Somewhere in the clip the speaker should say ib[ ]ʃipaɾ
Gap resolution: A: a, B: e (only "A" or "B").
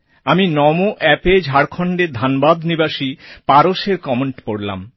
A